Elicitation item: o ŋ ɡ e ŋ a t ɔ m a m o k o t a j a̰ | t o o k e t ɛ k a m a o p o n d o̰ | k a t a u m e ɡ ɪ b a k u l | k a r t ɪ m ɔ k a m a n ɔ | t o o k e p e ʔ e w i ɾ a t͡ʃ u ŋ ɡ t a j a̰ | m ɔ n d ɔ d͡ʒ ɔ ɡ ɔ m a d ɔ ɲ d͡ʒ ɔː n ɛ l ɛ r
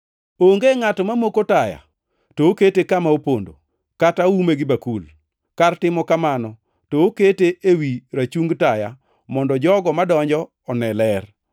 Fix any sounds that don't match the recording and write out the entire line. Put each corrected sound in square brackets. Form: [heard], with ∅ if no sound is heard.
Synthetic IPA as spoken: o ŋ ɡ e ŋ a t ɔ m a m o k o t a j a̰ | t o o k e t [e] k a m a o p o n d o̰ | k a t a u m e ɡ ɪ b a k u l | k a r t ɪ m ɔ k a m a n ɔ | t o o k e [t] e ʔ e w i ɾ a t͡ʃ u ŋ ɡ t a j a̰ | m ɔ n d ɔ d͡ʒ ɔ ɡ ɔ m a d ɔ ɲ d͡ʒ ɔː n ɛ l ɛ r